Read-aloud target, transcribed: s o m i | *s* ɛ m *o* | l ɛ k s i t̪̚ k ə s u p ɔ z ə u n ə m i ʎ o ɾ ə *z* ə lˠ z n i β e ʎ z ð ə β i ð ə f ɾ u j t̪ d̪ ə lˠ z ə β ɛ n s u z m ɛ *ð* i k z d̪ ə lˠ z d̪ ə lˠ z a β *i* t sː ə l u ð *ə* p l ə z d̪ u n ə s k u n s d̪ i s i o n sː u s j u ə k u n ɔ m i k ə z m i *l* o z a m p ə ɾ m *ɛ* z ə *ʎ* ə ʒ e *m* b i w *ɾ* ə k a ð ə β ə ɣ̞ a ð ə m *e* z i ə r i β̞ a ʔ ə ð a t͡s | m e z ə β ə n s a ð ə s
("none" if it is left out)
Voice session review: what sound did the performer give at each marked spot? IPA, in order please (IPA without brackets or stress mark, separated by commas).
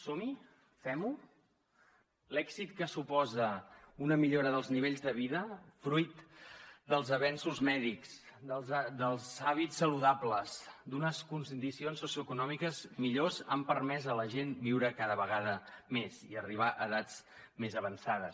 f, u, ð, ð, i, a, ʎ, ɛ, l, n, ɾ, e